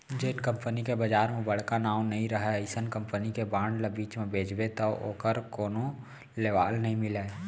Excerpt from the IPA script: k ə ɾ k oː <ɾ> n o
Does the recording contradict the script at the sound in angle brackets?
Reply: yes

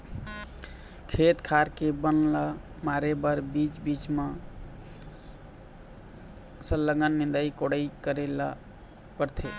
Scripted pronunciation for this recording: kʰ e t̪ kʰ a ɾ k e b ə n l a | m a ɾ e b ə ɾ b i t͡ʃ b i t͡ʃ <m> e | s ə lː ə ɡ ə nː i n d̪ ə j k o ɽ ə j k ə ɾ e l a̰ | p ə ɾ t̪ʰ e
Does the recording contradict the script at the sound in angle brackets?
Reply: no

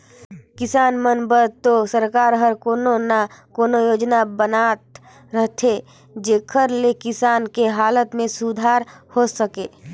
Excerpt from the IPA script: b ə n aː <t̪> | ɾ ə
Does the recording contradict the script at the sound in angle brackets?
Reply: no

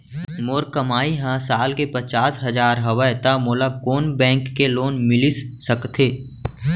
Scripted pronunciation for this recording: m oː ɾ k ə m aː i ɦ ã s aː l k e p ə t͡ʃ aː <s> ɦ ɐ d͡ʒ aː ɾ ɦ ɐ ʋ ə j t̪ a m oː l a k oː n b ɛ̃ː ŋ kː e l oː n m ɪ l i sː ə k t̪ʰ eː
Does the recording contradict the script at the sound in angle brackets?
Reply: no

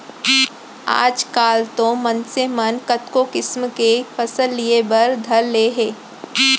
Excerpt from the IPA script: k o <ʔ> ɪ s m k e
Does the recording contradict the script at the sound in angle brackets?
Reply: yes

